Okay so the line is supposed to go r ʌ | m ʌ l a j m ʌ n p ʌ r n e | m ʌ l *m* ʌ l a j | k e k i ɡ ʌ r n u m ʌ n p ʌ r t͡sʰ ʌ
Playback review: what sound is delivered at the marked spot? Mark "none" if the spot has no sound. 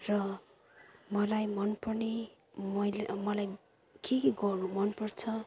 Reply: m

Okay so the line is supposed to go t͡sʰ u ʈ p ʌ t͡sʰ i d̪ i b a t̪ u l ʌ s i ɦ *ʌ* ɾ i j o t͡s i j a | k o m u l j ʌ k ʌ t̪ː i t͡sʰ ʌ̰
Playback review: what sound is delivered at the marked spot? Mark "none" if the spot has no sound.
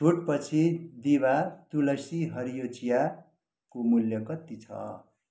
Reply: ʌ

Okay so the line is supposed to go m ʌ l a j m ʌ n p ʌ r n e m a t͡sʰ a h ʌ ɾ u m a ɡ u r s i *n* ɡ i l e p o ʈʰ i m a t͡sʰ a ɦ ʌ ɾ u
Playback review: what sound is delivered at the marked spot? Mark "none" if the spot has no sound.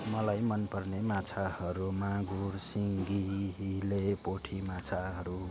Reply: ŋ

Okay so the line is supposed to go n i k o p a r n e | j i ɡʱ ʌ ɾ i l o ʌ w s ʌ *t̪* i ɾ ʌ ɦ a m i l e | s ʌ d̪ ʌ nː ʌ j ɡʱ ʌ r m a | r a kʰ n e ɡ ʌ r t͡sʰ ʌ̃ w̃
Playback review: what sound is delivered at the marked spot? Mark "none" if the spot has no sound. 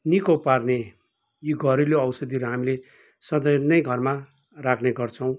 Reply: d̪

